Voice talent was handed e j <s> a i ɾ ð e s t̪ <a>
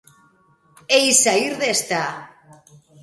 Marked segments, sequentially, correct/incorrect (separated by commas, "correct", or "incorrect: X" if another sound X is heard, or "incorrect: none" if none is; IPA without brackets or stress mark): correct, correct